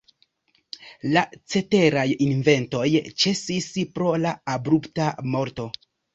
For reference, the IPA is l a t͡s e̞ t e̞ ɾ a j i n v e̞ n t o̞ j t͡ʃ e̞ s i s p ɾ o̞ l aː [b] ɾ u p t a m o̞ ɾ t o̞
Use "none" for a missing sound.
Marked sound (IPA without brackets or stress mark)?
b